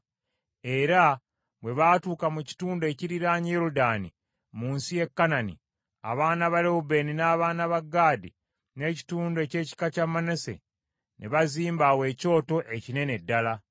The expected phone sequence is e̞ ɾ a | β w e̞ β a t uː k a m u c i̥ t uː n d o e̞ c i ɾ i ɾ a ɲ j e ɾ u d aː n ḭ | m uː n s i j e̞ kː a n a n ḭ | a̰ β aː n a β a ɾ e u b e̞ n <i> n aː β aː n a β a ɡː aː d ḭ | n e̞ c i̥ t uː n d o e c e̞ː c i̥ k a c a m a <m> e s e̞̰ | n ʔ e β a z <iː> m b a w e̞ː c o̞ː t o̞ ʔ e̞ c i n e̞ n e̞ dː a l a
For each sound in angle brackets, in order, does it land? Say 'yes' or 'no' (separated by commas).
yes, no, yes